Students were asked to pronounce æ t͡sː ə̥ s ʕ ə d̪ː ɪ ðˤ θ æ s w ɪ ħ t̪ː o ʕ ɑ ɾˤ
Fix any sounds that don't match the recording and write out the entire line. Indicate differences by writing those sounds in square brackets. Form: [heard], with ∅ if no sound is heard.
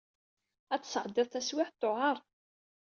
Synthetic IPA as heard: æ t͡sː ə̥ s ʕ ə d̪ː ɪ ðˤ θ æ s w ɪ ħ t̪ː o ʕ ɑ ɾˤ